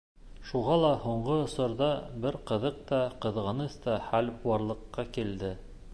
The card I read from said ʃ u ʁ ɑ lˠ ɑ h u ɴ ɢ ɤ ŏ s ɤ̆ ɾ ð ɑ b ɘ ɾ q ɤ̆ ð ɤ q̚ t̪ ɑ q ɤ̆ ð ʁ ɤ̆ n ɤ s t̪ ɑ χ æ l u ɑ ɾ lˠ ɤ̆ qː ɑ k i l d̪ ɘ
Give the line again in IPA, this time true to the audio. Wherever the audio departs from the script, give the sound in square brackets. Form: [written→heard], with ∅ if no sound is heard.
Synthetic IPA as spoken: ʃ u ʁ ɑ lˠ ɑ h u ɴ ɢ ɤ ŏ s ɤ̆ ɾ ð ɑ b ɘ ɾ q ɤ̆ ð ɤ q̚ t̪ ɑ q ɤ̆ ð ʁ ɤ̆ n ɤ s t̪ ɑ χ æ l u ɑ ɾ lˠ ɤ̆ qː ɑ k i l d̪ ɘ